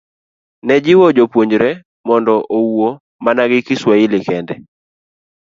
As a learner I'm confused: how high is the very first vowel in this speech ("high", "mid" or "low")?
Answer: mid